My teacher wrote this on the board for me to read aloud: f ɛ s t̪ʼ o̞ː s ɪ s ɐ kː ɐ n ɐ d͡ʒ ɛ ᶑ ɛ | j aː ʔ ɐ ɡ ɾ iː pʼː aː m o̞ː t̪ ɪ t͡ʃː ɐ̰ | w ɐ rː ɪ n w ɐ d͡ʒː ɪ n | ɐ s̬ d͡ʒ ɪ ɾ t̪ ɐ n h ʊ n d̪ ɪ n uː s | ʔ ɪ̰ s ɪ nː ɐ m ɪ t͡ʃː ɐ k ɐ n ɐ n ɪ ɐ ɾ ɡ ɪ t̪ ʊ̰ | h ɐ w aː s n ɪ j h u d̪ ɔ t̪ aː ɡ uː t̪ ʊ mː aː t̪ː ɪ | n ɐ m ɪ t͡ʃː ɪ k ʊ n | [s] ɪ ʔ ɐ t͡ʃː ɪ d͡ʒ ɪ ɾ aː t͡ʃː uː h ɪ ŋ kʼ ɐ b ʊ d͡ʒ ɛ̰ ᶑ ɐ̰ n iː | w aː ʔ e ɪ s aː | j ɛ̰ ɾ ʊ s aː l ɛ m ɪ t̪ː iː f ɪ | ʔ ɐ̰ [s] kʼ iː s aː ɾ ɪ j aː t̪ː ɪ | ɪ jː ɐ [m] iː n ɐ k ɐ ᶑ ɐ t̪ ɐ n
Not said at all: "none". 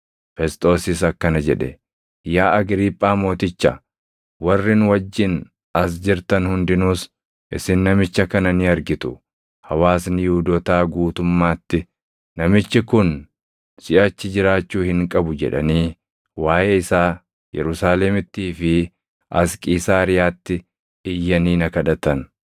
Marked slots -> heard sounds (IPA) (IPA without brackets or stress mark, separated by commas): s, s, n